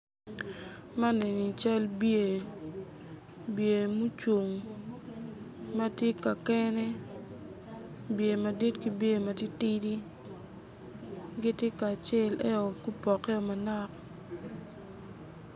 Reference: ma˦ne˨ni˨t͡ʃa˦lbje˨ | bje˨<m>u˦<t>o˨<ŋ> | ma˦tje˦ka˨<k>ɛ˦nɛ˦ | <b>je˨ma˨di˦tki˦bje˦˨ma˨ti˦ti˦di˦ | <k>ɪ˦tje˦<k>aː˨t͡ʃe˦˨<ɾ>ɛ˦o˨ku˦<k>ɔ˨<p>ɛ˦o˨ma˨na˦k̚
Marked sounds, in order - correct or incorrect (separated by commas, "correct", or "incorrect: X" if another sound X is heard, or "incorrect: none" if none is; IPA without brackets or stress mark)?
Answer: correct, incorrect: t͡ʃ, correct, correct, correct, incorrect: ɡ, correct, incorrect: l, incorrect: p, incorrect: k